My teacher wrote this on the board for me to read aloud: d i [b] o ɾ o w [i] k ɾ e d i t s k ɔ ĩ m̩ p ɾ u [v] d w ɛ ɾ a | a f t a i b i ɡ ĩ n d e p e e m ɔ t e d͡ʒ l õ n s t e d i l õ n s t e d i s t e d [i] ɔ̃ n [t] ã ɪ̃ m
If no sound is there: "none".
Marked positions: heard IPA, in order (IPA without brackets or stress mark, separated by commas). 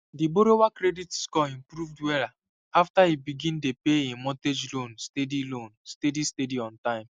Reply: b, a, v, i, t